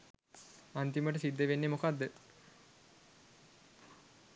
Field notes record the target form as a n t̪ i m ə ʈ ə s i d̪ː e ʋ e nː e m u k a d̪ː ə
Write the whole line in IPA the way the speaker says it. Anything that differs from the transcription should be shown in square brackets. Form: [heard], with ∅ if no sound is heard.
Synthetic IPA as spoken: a n t̪ i m ə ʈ ə s i d̪ː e ʋ e nː e m [o] k a d̪ː ə